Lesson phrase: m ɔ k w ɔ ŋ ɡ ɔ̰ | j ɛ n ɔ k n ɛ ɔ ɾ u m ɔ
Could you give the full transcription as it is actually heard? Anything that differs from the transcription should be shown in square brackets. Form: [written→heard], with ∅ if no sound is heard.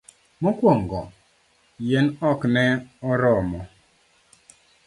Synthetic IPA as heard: m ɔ k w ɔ ŋ ɡ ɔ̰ | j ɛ n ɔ k n ɛ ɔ ɾ [u→ɔ] m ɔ